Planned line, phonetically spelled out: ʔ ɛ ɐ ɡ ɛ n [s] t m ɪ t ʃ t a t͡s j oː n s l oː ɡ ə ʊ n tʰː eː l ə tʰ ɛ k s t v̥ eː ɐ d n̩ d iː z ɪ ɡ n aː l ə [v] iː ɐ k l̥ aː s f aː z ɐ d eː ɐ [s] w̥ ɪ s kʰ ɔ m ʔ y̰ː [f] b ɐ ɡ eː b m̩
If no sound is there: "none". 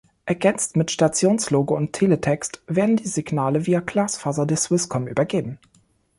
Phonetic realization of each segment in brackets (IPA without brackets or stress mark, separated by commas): t͡s, v, s, none